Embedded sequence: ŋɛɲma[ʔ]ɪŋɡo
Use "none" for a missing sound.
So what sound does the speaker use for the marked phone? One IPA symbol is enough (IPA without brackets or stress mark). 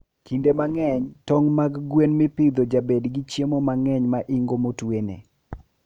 ʔ